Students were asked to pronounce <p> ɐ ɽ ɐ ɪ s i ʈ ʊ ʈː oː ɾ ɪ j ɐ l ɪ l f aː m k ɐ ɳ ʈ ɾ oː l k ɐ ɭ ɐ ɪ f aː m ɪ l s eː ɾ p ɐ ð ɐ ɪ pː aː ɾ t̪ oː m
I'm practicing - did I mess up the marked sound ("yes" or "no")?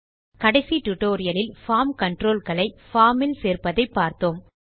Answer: yes